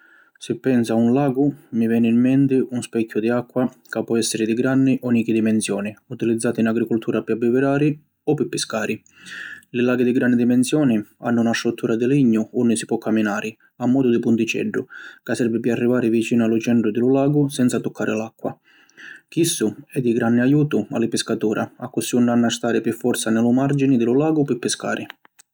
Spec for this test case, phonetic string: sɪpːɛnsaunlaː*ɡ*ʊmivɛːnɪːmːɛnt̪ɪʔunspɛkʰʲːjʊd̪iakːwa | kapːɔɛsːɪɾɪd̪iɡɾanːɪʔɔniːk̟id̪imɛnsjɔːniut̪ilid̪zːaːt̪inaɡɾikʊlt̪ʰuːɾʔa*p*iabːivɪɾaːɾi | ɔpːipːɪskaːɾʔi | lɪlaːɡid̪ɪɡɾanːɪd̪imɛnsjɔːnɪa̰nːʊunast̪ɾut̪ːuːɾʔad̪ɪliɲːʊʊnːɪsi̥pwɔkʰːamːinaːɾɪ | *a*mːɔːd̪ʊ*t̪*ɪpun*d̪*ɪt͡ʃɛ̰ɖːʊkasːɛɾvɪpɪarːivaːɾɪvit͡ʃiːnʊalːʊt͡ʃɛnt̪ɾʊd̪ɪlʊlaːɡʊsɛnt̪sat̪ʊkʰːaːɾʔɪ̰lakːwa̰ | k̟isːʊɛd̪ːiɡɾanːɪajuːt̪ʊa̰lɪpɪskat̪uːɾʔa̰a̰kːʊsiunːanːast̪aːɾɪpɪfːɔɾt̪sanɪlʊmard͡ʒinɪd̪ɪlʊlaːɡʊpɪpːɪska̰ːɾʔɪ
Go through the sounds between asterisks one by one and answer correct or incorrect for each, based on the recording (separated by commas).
correct, correct, correct, incorrect, incorrect